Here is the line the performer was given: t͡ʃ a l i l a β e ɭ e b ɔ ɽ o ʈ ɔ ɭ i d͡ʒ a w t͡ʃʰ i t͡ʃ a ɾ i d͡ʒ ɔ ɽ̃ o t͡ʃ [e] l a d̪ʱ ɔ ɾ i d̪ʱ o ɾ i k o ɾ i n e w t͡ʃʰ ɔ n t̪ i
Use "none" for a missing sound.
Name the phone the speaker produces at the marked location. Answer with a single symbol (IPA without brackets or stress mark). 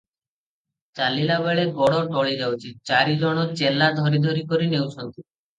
e